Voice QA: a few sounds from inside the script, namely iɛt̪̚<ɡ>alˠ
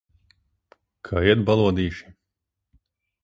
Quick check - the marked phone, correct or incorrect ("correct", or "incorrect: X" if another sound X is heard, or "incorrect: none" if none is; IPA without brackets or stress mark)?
incorrect: b